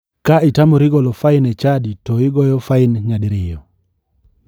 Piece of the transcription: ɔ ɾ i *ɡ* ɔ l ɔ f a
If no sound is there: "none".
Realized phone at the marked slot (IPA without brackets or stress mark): ɡ